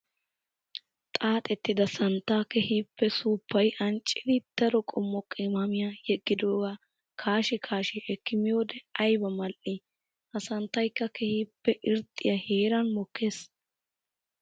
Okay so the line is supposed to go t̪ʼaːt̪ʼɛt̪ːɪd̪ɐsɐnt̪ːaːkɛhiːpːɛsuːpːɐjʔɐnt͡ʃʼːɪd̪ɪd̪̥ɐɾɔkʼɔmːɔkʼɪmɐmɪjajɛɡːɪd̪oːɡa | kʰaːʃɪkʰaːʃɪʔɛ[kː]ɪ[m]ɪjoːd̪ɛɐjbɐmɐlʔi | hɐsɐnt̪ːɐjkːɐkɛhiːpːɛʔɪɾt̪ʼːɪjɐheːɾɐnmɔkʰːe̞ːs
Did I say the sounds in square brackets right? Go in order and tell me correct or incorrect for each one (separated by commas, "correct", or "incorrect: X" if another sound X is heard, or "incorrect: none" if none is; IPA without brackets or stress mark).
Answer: correct, correct